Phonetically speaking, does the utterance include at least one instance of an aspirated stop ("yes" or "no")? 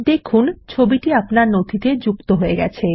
yes